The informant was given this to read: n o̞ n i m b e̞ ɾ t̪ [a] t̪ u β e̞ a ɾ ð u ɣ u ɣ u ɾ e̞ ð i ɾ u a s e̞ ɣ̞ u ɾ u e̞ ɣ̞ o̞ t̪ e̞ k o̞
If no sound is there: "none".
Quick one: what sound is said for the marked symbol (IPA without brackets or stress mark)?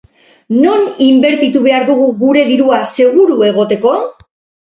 i